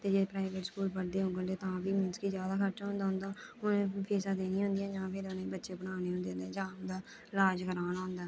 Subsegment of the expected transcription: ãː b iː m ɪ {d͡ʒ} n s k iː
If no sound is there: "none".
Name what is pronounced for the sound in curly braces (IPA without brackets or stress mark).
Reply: none